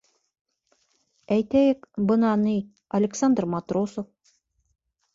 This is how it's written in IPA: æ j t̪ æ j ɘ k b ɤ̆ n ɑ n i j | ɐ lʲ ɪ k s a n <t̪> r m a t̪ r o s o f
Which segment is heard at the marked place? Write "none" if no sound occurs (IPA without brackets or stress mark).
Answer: d̪